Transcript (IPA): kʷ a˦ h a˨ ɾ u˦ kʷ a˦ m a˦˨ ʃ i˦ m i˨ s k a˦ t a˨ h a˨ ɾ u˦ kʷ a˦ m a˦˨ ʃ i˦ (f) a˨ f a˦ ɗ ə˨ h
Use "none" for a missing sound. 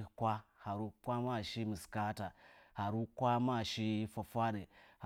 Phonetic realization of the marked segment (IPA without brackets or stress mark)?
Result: f